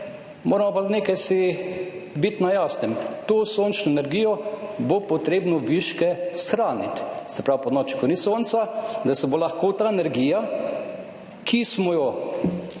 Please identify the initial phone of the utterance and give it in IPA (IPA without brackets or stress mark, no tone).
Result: m